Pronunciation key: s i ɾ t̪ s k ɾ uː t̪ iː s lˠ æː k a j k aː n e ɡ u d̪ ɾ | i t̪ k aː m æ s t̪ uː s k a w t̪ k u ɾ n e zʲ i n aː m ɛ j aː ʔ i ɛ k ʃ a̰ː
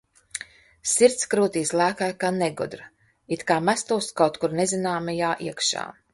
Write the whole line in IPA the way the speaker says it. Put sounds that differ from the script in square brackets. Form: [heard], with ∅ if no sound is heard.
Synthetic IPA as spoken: s i ɾ t̪ s k ɾ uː t̪ iː s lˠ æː k a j k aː n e ɡ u d̪ ɾ | i t̪ k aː m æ s t̪ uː s k a w t̪ k u ɾ n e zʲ i n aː m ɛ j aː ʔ i ɛ k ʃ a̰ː